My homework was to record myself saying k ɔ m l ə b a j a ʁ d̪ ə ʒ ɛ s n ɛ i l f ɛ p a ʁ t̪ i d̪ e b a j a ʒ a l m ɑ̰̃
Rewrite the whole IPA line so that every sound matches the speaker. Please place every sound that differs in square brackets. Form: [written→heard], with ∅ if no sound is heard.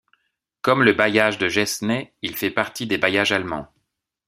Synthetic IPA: k ɔ m l ə b a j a [ʁ→ʒ] d̪ ə ʒ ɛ s n ɛ i l f ɛ p a ʁ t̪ i d̪ e b a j a ʒ a l m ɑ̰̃